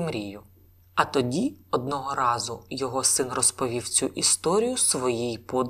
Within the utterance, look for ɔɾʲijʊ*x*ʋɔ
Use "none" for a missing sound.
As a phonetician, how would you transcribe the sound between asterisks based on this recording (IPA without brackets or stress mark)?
s